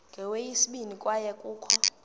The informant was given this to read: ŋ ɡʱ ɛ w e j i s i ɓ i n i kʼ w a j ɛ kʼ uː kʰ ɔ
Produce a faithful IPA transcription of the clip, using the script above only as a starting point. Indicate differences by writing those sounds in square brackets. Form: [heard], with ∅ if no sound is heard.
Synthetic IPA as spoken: ŋ ɡʱ ɛ w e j i s i ɓ i n i kʼ w a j ɛ kʼ uː kʰ ɔ